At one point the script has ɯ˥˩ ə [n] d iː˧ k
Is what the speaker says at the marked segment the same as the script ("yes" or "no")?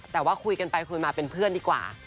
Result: yes